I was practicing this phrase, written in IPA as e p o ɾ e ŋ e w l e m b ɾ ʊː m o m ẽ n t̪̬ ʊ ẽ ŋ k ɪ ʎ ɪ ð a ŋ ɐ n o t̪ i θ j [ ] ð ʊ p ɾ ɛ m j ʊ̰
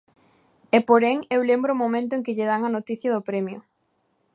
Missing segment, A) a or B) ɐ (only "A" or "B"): B